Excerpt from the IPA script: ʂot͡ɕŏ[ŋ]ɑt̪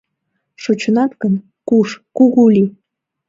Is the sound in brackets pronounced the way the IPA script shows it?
no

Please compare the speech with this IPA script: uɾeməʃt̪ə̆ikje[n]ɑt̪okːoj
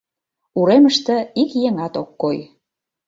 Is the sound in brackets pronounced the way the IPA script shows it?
no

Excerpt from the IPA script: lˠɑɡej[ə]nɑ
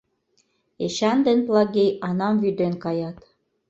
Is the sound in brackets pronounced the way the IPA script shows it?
no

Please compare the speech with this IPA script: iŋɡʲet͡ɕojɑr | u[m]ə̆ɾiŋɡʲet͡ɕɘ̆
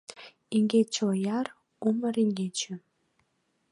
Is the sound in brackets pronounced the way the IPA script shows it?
yes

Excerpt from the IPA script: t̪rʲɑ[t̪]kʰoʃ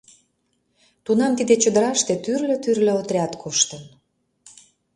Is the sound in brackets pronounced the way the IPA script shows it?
yes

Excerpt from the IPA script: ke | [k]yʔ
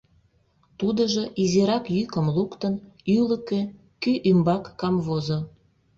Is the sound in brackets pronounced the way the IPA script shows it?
yes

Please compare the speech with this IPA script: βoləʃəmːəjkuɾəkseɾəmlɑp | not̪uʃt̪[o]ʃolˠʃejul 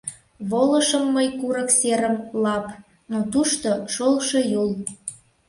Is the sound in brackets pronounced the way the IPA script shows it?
yes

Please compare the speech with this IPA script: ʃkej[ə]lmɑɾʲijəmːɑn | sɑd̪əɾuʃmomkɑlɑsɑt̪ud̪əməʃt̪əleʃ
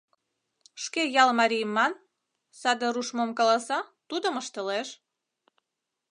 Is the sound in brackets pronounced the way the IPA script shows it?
no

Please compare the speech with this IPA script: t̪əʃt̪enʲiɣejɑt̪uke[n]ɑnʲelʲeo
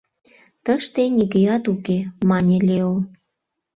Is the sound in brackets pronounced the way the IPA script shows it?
no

